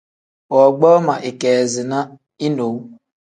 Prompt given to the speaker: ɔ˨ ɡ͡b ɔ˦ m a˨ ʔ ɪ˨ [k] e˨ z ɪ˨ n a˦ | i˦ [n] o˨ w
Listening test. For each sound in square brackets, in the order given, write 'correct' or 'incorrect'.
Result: correct, correct

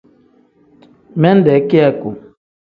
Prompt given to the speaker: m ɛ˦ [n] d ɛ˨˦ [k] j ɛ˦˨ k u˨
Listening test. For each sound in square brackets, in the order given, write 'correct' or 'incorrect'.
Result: correct, correct

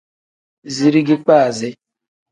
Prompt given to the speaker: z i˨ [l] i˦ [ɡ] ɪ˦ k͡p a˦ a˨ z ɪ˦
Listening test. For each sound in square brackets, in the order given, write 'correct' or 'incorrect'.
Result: incorrect: ɾ, correct

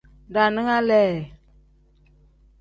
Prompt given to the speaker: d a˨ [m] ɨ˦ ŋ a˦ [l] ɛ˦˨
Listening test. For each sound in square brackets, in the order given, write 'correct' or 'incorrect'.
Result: incorrect: n, correct

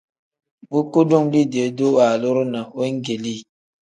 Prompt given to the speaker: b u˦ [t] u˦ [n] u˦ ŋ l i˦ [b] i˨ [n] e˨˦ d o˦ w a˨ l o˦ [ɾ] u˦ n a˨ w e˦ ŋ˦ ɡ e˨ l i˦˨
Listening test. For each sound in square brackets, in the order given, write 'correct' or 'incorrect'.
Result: incorrect: k, incorrect: d, incorrect: d, incorrect: none, correct

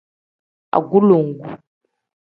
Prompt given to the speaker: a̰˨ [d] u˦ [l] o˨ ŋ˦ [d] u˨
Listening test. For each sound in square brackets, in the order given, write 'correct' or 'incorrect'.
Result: incorrect: ɡ, correct, incorrect: ɡ

